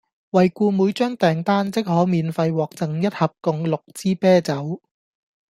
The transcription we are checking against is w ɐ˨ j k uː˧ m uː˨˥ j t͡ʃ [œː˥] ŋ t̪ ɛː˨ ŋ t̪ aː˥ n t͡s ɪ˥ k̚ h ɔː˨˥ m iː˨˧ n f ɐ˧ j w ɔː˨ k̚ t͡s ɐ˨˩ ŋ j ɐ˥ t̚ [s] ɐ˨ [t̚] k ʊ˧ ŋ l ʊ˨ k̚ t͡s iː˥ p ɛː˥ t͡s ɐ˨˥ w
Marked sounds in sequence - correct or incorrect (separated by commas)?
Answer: correct, incorrect, incorrect